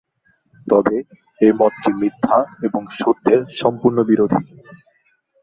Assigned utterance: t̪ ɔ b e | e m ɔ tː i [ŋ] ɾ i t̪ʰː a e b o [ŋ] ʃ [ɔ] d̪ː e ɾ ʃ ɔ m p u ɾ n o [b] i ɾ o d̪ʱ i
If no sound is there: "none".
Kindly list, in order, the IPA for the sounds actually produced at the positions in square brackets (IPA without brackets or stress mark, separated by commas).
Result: m, ŋ, o, b